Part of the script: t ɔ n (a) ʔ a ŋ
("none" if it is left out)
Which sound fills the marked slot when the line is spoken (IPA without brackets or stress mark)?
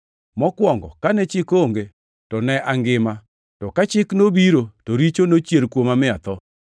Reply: ɛ